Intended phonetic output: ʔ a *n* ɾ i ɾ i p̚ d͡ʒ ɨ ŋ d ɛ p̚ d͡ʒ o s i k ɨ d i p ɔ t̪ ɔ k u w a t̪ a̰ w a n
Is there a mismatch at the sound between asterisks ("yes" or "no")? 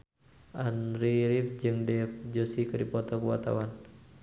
no